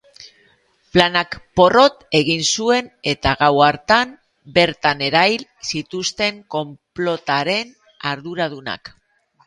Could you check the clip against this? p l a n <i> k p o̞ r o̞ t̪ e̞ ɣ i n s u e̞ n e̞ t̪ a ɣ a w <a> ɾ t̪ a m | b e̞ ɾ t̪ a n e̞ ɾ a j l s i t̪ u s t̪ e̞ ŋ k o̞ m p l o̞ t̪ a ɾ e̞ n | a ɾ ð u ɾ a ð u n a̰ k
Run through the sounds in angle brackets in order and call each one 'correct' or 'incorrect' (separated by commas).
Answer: incorrect, correct